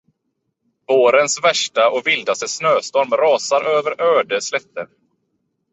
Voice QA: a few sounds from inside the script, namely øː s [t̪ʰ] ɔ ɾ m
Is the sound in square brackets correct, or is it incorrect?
incorrect